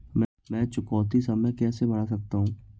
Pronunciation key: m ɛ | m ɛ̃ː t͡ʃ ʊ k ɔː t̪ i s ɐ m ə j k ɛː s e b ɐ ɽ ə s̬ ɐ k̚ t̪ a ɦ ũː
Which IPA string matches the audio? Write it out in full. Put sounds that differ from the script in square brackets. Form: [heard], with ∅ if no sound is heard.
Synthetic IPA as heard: m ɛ | m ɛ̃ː t͡ʃ ʊ k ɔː t̪ i s ɐ m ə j k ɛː s e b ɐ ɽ [a] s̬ ɐ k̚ t̪ a ɦ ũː